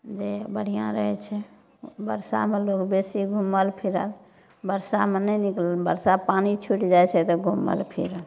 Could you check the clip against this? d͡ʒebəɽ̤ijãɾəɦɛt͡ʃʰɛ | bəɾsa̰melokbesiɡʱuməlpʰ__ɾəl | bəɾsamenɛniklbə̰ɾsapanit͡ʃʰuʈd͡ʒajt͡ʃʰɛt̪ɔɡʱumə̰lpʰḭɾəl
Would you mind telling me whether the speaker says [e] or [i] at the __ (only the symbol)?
i